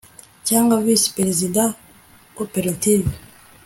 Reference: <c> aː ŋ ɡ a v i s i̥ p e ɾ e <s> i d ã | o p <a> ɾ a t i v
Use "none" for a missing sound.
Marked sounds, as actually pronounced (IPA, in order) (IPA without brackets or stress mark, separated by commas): c, z, e